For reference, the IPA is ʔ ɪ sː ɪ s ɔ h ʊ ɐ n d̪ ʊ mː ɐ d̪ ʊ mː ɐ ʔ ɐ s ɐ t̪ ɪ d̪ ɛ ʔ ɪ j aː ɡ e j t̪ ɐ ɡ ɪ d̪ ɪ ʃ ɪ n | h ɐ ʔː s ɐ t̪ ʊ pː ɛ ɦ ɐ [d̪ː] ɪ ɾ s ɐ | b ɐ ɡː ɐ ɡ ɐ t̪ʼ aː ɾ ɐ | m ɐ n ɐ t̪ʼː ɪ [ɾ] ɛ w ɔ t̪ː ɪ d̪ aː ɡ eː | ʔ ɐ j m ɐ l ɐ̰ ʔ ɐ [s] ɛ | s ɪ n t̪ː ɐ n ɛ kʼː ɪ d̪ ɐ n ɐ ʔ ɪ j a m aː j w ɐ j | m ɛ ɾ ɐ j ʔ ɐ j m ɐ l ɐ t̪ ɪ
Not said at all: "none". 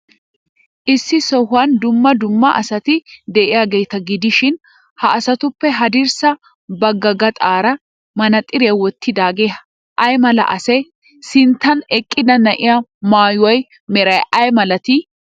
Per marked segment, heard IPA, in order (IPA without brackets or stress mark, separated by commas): d̪, ɾ, s